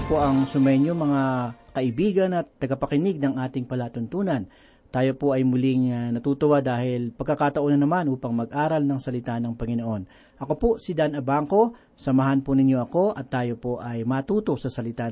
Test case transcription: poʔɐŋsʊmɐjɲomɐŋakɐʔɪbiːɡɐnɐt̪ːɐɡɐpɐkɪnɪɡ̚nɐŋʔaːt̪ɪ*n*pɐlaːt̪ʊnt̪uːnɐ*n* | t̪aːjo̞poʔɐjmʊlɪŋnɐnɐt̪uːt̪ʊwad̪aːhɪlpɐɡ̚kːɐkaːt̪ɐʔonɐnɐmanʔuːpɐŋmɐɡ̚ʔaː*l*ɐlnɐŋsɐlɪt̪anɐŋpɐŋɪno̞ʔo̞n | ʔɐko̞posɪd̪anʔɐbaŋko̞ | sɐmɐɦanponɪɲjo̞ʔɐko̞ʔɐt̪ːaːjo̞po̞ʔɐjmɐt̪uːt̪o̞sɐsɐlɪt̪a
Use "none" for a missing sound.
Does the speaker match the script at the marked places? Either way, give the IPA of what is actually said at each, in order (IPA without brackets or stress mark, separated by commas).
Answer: ŋ, n, ɾ